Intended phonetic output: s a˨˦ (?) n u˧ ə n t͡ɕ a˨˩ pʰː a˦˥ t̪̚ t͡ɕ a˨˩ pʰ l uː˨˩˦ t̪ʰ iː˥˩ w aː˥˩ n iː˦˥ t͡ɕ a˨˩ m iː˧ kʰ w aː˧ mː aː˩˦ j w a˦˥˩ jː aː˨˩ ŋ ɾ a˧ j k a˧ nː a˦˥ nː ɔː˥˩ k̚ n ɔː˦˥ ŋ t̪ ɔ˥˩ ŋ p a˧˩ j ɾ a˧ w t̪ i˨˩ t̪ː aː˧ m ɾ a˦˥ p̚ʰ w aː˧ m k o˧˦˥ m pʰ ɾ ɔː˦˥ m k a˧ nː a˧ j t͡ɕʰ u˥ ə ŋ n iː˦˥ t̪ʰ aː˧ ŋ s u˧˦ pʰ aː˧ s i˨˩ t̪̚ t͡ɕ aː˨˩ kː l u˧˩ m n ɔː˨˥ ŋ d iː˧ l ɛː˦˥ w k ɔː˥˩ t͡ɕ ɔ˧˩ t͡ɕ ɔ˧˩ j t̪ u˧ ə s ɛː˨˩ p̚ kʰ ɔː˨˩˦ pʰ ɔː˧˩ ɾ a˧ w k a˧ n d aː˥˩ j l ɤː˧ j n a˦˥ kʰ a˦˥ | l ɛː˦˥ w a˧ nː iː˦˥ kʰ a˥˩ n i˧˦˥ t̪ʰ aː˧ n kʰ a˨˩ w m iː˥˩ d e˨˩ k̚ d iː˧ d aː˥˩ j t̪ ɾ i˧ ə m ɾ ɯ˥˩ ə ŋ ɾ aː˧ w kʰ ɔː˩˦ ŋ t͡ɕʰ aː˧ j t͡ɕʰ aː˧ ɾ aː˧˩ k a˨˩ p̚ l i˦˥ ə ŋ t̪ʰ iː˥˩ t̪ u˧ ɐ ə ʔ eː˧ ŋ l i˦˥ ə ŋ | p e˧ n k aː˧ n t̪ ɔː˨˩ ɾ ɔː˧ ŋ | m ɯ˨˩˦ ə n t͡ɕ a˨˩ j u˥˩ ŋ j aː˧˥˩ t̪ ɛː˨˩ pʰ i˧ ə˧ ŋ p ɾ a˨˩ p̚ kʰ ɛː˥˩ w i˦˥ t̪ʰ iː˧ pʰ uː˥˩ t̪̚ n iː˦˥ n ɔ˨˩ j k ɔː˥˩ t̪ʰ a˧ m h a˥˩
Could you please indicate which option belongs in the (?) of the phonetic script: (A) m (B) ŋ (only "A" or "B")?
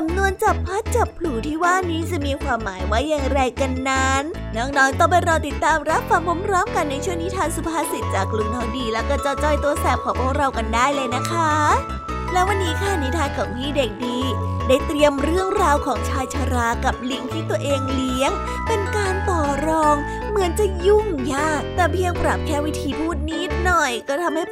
A